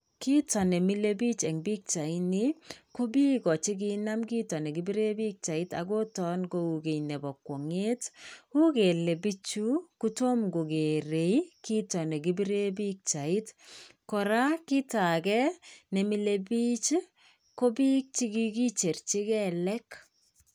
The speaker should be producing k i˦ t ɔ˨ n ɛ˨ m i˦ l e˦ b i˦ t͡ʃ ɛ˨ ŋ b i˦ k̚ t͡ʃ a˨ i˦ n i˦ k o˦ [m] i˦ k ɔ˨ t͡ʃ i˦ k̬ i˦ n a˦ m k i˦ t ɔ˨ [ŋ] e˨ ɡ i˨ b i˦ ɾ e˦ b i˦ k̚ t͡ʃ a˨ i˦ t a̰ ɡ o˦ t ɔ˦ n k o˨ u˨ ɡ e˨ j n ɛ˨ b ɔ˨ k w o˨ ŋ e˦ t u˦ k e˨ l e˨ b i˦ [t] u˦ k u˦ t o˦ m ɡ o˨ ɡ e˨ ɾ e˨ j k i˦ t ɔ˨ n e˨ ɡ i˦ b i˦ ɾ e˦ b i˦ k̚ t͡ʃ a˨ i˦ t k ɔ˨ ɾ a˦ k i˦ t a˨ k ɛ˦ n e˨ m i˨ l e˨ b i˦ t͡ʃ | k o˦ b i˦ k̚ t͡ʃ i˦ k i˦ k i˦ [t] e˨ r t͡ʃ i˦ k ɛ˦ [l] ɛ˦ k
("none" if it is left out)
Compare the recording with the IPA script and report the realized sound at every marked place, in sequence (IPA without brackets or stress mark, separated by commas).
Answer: b, n, t͡ʃ, t͡ʃ, l